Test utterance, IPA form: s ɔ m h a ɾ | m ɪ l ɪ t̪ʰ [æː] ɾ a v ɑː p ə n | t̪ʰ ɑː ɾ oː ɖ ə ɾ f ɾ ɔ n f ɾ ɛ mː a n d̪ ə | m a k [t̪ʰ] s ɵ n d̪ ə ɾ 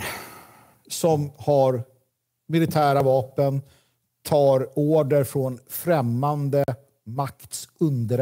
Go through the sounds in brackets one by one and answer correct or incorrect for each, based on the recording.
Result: correct, incorrect

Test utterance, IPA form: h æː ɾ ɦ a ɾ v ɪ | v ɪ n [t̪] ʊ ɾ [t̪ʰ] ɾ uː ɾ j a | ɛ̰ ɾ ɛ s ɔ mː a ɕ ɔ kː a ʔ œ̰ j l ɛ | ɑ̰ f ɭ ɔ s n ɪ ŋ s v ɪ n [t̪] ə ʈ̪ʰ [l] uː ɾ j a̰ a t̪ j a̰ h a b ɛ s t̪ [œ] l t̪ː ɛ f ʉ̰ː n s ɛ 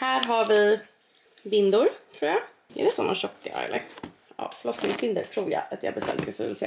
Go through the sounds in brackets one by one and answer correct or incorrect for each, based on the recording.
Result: incorrect, correct, incorrect, incorrect, incorrect

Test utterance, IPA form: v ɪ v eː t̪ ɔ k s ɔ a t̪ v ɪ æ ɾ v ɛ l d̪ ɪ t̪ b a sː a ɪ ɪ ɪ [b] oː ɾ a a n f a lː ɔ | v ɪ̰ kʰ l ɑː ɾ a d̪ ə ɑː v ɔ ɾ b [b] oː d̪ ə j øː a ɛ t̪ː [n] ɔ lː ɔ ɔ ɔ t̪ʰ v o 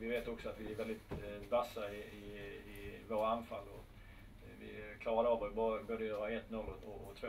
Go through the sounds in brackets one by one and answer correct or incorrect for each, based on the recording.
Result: incorrect, correct, correct

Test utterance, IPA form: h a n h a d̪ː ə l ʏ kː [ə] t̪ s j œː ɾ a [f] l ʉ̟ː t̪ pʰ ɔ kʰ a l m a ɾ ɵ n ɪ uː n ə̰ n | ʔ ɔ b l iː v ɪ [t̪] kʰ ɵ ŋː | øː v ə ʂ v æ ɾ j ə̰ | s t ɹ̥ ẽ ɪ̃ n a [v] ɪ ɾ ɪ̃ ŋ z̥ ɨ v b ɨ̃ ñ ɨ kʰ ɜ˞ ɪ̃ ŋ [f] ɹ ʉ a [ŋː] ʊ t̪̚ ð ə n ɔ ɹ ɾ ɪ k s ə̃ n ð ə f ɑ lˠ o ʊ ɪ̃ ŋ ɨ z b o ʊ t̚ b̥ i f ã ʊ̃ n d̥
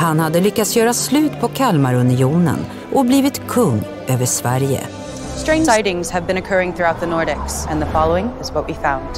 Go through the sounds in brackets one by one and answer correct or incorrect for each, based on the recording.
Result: incorrect, incorrect, correct, incorrect, incorrect, incorrect

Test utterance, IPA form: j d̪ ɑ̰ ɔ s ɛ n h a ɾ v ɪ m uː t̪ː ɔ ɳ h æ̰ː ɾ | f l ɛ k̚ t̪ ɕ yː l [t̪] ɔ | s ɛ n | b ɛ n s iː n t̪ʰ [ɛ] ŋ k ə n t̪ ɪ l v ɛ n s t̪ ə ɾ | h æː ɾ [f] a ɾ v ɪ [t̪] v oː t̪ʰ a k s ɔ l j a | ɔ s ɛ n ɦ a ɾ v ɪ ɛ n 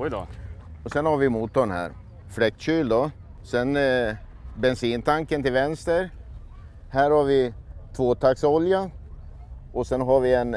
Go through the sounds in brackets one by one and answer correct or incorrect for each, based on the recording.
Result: incorrect, incorrect, incorrect, incorrect

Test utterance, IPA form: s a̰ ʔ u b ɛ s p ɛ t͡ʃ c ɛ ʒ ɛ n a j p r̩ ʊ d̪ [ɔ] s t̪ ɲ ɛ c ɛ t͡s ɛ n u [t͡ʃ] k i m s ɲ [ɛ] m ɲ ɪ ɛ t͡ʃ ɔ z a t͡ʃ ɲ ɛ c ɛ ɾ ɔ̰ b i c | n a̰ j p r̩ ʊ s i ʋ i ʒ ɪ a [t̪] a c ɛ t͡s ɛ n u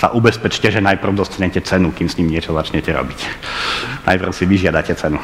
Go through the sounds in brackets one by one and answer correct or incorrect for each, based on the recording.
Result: correct, incorrect, incorrect, incorrect

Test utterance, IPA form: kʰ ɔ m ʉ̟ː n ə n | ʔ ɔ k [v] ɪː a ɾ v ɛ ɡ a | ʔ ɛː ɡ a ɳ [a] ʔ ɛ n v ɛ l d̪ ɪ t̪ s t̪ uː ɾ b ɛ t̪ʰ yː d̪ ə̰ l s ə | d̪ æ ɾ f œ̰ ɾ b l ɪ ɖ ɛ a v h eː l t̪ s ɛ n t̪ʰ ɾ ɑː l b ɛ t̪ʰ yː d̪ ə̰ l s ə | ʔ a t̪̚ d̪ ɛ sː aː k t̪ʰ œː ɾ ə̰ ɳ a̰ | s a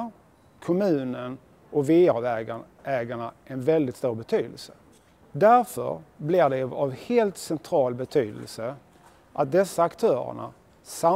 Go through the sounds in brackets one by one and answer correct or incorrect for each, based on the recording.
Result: correct, correct

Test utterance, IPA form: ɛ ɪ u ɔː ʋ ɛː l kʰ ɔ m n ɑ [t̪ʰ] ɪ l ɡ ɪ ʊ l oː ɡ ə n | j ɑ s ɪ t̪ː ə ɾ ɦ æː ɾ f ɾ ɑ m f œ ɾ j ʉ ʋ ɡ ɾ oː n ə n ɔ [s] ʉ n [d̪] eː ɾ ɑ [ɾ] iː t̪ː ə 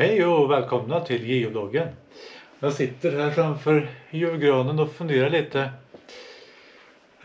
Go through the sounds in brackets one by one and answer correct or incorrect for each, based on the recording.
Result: correct, incorrect, correct, incorrect

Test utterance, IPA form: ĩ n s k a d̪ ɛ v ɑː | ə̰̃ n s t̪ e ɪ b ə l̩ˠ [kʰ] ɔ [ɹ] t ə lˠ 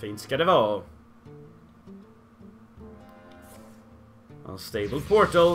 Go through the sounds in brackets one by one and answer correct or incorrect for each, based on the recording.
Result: incorrect, correct

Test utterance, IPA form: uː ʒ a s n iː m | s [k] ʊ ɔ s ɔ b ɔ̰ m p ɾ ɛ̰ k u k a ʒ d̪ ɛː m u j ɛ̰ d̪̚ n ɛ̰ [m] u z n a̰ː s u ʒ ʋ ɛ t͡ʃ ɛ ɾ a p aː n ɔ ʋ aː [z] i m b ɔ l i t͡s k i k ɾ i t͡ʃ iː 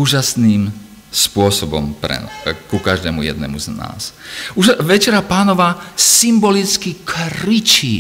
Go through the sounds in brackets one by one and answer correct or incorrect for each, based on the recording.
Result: incorrect, correct, incorrect

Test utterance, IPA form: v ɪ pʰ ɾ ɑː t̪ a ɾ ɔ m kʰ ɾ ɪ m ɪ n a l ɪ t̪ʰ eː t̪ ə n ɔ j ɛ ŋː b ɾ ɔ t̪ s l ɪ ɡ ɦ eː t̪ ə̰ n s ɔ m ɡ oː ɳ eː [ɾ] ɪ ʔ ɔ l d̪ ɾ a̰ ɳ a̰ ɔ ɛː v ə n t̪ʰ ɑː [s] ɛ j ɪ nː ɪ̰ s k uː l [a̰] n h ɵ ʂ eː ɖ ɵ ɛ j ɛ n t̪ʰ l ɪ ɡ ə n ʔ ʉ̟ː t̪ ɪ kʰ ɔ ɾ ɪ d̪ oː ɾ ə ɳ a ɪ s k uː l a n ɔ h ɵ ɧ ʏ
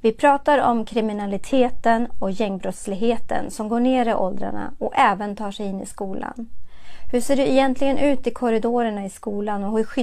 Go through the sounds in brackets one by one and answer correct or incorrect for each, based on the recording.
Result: correct, incorrect, correct

